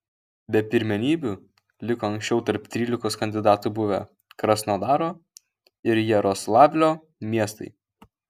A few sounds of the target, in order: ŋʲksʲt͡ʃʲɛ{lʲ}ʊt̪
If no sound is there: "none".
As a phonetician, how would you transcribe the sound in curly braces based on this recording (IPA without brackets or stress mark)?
none